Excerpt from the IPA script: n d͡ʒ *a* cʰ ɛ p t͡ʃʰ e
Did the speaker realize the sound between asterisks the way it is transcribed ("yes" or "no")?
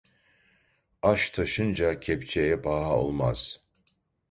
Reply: yes